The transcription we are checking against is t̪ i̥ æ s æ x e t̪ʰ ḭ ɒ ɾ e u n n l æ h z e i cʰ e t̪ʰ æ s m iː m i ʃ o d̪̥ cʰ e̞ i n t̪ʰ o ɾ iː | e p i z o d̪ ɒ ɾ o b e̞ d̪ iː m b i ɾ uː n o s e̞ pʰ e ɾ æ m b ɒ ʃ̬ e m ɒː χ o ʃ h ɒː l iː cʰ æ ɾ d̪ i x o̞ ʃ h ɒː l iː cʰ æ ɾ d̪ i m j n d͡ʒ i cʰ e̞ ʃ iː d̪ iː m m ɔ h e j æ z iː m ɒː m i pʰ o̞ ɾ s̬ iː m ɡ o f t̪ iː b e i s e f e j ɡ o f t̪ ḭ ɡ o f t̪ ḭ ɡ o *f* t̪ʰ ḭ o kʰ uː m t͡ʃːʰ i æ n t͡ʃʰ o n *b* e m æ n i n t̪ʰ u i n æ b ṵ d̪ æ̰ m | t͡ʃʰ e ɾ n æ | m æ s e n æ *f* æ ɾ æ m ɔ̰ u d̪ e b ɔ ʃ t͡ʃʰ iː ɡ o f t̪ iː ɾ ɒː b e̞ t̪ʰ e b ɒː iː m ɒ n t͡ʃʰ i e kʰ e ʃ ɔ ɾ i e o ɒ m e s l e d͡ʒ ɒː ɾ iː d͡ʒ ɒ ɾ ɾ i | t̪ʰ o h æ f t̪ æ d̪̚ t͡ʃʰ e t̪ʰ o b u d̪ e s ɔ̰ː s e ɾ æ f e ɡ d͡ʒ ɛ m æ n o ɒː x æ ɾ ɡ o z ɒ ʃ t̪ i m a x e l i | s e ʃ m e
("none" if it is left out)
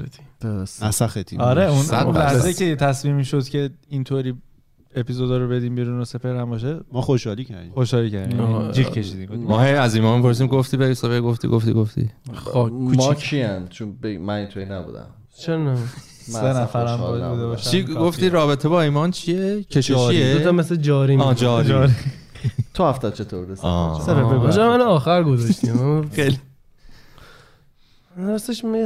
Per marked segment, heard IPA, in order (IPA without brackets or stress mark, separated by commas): f, b, f